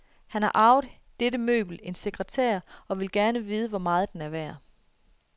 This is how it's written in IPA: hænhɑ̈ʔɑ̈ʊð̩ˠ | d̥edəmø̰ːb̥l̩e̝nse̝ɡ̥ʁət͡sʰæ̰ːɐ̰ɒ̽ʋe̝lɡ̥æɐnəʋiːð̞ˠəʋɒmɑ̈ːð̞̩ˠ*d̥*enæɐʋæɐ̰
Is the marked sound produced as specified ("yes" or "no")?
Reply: yes